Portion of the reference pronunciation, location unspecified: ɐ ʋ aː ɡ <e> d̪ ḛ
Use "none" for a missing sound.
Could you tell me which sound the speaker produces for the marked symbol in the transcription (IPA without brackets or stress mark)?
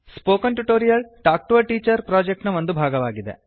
i